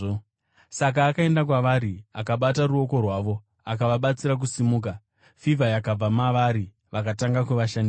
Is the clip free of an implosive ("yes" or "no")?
no